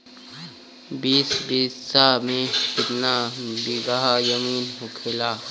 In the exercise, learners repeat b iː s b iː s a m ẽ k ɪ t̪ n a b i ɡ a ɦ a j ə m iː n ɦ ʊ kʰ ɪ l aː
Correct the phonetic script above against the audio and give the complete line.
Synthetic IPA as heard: b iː s b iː s a m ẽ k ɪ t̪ n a b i ɡ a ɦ a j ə m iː n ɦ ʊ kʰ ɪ l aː

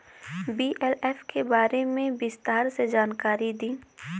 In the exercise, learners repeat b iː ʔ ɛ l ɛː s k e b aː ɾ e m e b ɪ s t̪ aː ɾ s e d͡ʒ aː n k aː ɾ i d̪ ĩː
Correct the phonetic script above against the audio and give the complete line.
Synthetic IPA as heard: b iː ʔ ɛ l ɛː f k e b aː ɾ e m ẽ b ɪ s t̪ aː ɾ s e d͡ʒ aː n k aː ɾ i d̪ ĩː

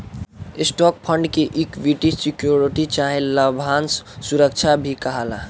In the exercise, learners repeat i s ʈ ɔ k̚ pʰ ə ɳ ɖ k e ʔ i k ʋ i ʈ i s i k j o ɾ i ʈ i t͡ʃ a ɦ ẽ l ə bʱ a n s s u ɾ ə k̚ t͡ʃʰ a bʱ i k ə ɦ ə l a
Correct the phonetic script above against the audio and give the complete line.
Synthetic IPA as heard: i s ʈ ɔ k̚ pʰ ə ɳ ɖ k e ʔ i k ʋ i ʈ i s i k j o ɾ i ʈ i t͡ʃ a ɦ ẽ l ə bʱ a n s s u ɾ ə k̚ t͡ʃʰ a bʱ i k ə ɦ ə l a

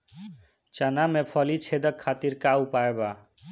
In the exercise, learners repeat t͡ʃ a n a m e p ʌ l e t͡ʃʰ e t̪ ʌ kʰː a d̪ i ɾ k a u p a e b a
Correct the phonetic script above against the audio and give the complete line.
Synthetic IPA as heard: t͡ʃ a n a m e pʰ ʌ l i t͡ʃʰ e d̪ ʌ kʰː a t̪ i ɾ k a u p a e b a

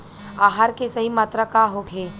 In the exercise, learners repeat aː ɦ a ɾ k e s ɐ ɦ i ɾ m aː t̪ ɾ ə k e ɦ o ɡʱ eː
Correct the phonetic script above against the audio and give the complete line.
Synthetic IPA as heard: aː ɦ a ɾ k e s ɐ ɦ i m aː t̪ ɾ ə k a ɦ o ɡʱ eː

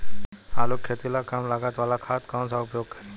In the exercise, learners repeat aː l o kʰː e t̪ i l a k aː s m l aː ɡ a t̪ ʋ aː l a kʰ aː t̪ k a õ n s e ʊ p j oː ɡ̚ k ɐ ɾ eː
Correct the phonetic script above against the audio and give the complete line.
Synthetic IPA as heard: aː l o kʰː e t̪ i l a k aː m l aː ɡ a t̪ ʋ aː l a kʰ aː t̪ k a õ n s a ʊ p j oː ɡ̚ k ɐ ɾ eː

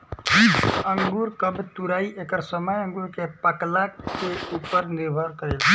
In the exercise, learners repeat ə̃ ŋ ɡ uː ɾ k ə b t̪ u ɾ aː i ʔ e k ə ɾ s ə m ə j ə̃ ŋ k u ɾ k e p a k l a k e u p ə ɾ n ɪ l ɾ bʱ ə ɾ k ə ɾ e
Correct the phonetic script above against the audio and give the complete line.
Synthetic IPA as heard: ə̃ ŋ ɡ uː ɾ k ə b t̪ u ɾ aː i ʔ e k ə ɾ s ə m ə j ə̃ ŋ ɡ u ɾ k e p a k l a k e u p ə ɾ n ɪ ɾ bʱ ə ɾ k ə ɾ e

